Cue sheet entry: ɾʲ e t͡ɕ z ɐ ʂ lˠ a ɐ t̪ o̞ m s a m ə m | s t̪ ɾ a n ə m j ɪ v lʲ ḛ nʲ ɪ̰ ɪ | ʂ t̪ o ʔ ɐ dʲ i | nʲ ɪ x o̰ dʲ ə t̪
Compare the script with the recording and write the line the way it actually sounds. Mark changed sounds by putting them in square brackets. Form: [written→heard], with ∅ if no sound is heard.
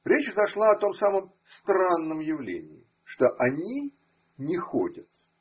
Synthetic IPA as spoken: ɾʲ e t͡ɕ z ɐ ʂ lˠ a ɐ t̪ o̞ m s a m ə m | s t̪ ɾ a [n→nː] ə m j ɪ v lʲ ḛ nʲ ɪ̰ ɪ | ʂ t̪ o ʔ ɐ [dʲ→nʲ] i | nʲ ɪ x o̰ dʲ ə t̪